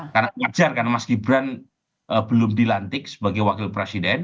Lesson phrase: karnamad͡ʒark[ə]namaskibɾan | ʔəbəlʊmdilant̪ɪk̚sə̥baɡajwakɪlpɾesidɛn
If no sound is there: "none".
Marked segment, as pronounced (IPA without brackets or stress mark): a